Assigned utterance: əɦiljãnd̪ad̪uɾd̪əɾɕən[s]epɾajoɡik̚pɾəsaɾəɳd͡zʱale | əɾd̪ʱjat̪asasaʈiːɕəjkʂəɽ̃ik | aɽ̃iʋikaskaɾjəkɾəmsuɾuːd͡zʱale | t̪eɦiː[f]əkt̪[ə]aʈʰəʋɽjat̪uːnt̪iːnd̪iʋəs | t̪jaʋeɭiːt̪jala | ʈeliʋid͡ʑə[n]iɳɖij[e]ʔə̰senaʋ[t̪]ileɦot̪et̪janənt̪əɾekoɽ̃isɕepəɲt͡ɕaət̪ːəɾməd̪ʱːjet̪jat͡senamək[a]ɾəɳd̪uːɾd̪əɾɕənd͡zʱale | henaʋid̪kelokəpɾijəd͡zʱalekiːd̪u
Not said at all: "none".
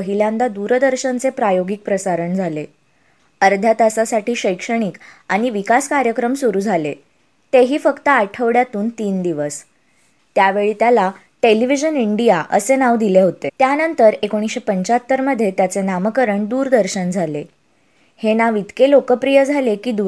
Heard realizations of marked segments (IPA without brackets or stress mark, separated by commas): t͡s, f, ə, n, a, d̪, ə